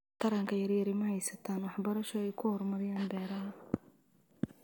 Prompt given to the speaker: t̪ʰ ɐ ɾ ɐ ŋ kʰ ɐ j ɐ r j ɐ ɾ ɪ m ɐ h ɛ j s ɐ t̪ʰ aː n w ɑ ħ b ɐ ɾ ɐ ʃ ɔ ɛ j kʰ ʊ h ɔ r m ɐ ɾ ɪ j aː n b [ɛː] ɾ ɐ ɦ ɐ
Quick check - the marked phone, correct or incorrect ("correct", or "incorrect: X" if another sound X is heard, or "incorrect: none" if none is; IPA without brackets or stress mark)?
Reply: correct